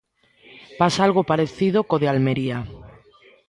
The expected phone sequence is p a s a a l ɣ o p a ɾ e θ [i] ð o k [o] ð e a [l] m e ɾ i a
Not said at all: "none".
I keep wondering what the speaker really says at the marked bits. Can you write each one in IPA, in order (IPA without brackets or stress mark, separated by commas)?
i, o, l